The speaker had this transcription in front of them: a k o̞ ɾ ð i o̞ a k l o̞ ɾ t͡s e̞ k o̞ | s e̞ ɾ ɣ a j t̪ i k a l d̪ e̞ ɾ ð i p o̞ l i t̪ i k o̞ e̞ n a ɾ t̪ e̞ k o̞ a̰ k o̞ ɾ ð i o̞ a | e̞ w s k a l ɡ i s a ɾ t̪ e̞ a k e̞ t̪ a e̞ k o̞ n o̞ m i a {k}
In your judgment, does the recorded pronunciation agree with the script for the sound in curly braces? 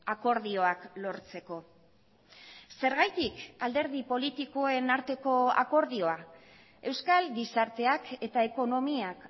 yes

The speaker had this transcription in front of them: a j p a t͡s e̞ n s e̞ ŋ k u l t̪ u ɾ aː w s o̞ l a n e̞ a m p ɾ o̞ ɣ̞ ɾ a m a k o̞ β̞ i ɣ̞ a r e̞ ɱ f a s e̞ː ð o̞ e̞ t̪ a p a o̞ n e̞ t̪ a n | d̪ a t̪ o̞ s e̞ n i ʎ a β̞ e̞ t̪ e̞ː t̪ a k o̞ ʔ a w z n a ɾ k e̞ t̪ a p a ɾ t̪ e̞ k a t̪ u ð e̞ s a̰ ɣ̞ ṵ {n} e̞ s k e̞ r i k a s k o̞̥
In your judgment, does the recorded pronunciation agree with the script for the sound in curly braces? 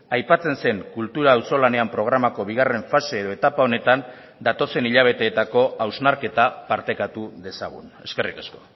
yes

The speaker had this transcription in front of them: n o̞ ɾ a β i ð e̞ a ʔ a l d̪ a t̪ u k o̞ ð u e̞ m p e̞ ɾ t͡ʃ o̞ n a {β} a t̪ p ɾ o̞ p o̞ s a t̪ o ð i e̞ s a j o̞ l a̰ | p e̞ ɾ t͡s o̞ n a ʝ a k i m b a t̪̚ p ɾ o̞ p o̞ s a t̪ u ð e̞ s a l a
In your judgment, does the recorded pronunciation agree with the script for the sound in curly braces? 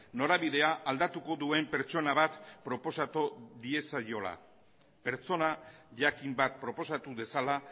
yes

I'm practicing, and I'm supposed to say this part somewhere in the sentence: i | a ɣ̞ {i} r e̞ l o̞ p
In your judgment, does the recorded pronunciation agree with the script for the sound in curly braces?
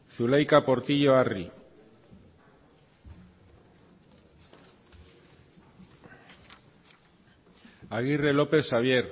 yes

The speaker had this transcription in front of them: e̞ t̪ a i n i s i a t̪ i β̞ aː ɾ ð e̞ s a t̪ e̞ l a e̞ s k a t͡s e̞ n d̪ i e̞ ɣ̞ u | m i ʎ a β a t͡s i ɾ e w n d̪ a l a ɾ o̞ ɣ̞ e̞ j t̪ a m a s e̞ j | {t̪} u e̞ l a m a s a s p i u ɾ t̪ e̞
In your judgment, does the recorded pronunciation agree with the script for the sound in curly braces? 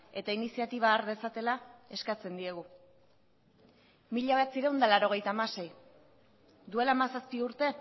no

